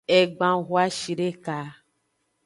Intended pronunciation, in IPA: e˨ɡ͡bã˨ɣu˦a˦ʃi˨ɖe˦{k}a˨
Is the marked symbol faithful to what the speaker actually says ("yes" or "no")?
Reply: yes